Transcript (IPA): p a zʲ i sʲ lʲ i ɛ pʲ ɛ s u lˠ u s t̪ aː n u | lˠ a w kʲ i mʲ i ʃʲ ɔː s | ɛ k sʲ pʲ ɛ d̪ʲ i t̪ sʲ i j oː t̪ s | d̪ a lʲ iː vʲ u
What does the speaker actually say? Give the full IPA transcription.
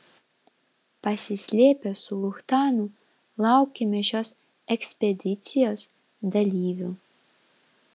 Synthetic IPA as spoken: p a sʲ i sʲ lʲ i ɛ pʲ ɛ s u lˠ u x t̪ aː n u | lˠ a w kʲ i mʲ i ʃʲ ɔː s | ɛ k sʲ pʲ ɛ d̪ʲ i t̪ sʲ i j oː s | d̪ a lʲ iː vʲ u